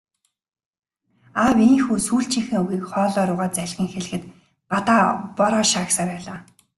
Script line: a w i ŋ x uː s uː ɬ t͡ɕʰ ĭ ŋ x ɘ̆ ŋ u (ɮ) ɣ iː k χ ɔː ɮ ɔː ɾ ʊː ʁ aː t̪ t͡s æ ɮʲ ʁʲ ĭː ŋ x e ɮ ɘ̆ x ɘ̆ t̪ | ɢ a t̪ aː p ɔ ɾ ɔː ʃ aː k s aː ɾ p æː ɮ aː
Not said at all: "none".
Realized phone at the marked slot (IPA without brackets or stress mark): none